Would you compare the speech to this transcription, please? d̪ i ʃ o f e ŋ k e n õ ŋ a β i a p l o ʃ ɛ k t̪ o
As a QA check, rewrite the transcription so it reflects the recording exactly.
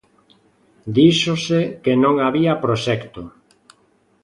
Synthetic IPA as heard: d̪ i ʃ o s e k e n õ ŋ a β i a p ɾ o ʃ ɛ k t̪ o